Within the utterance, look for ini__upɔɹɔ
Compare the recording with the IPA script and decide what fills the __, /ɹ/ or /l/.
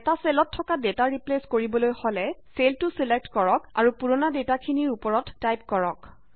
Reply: ɹ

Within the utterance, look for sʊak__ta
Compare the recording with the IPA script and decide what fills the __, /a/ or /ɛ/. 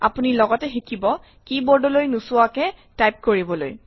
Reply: ɛ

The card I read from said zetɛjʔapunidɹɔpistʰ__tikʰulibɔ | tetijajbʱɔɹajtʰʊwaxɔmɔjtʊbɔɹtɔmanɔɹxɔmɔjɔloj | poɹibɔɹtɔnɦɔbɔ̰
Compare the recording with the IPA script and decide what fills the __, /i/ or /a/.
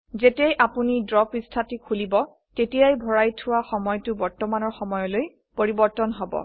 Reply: a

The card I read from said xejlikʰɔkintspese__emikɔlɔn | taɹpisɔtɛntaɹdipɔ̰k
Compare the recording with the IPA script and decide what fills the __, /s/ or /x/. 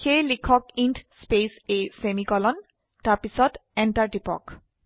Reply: s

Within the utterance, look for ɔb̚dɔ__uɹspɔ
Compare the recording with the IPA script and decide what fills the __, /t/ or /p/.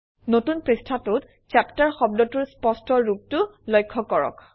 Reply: t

